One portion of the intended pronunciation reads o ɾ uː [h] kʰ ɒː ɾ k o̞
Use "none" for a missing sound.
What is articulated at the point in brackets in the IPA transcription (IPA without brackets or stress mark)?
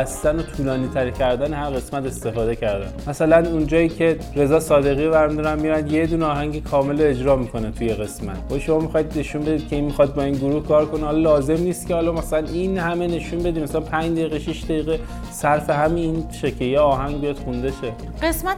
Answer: h